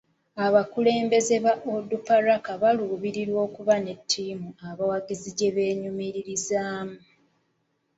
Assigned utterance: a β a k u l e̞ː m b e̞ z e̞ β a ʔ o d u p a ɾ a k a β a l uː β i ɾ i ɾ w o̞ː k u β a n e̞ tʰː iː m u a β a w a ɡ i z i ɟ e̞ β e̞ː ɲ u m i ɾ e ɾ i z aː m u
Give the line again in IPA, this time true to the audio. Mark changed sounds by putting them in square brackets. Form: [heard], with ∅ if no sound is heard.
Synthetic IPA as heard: a β a k u l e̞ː m b e̞ z e̞ β a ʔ o d u p a ɾ a k a β a l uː β i ɾ i ɾ w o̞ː k u β a n e̞ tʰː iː m u a β a w a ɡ i z i ɟ e̞ β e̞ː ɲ u m i ɾ [i] ɾ i z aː m u